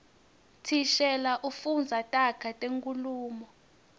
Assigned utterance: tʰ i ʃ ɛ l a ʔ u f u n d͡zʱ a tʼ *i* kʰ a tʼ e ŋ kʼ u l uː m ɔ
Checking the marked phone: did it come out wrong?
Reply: yes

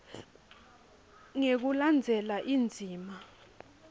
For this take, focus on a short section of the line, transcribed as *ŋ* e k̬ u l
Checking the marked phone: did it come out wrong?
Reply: no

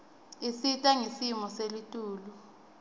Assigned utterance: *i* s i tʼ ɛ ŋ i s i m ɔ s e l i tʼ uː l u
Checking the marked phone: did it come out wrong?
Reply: no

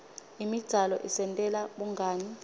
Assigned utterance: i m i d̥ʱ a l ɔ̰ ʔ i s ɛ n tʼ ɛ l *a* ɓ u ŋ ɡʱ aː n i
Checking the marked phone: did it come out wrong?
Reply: no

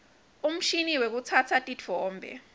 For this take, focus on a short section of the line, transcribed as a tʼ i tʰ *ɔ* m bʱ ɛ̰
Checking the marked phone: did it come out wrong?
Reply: yes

